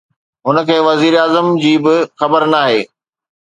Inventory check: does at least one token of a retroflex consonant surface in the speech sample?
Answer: no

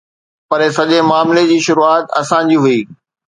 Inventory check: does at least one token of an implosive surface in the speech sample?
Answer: yes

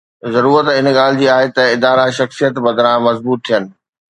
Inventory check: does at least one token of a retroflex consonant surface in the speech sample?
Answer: no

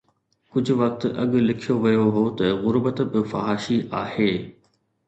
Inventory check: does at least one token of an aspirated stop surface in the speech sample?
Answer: yes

